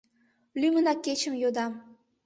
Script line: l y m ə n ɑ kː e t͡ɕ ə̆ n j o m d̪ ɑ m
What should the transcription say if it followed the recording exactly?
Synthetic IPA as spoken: l y m ə n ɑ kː e t͡ɕ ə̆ m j o d̪ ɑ m